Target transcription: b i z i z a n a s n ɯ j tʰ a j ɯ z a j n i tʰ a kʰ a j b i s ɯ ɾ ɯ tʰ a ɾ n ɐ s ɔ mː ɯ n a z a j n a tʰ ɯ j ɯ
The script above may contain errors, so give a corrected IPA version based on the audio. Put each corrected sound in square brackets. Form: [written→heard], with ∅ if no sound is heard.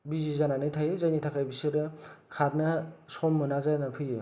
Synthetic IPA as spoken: b i z i z a n a [s→∅] n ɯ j tʰ a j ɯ z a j n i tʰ a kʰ a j b i s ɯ ɾ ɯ [tʰ→kʰ] a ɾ n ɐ s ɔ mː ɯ n a z a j n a [tʰ→pʰ] ɯ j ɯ